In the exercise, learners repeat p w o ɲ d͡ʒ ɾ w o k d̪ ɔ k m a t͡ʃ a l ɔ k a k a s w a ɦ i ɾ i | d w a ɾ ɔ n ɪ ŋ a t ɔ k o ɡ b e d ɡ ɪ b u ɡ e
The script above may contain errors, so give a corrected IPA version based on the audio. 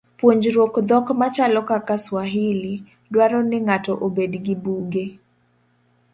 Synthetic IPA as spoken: p w o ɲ d͡ʒ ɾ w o k d̪ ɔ k m a t͡ʃ a l ɔ k a k a s w a ɦ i l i | d w a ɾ ɔ n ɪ ŋ a t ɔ ʔ o b e d ɡ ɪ b u ɡ e